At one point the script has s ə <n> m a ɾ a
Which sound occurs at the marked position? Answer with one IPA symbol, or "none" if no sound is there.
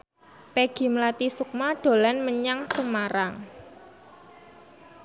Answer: none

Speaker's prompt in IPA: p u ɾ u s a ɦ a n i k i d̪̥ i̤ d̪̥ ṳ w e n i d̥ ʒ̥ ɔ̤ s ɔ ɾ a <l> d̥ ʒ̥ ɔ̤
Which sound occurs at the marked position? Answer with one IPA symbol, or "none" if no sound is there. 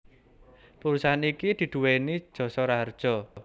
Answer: r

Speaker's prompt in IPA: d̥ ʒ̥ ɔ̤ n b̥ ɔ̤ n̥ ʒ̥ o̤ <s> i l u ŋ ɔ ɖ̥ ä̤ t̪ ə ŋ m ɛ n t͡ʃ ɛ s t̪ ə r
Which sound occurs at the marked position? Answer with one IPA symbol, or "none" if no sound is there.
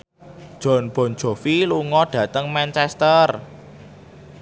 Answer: f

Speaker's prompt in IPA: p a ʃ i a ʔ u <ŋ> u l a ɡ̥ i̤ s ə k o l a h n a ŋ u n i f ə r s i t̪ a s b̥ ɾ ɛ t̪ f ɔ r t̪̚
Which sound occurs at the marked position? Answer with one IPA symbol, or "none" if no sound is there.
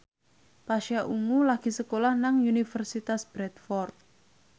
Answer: ŋ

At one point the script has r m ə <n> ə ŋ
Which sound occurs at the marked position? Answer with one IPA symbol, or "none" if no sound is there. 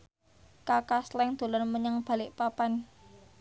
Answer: ɲ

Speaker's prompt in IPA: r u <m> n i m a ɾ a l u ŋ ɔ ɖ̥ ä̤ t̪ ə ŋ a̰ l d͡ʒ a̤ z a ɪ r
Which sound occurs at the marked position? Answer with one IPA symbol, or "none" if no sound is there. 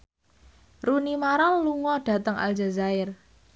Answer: none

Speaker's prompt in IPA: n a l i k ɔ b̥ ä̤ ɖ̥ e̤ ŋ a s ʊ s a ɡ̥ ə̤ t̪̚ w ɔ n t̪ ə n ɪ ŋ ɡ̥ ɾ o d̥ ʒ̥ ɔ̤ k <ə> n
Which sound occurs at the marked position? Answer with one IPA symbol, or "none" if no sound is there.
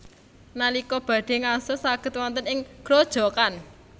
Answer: a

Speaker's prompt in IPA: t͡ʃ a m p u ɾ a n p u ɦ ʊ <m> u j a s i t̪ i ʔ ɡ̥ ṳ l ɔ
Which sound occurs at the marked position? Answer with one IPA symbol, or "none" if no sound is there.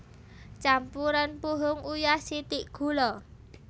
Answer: ŋ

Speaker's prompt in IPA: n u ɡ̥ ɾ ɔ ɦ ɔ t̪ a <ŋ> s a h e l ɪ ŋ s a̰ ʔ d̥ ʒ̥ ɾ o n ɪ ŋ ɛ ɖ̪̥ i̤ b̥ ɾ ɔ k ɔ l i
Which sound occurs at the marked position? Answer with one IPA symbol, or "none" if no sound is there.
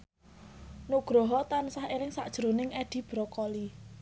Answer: n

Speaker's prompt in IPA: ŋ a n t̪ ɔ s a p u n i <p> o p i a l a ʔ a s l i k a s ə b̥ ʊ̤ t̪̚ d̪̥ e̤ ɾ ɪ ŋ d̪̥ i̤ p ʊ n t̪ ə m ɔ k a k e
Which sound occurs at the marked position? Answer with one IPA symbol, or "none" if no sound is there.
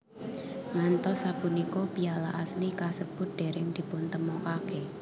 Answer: k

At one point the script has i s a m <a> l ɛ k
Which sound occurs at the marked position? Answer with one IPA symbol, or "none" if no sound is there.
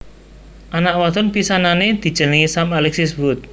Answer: a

